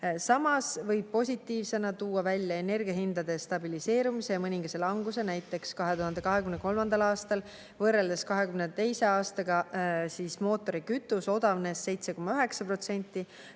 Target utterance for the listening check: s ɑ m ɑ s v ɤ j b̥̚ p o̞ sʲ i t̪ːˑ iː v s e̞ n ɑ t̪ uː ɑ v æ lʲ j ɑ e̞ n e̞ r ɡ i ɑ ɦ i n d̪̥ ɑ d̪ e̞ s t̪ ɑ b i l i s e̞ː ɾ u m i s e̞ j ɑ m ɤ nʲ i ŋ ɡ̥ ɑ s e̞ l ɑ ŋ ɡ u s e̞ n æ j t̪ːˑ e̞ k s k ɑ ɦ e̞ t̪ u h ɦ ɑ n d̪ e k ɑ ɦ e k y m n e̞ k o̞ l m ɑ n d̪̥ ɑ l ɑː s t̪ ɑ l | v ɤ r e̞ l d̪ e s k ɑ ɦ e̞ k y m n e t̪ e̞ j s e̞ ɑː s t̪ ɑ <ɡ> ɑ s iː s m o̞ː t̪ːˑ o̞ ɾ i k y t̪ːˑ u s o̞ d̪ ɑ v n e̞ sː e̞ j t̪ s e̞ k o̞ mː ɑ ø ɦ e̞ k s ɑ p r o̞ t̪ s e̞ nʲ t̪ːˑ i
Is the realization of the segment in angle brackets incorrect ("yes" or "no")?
no